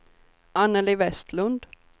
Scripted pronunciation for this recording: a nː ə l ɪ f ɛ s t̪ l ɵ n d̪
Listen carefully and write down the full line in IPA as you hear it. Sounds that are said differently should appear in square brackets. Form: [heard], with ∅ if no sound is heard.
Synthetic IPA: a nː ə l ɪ [v] ɛ s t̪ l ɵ n d̪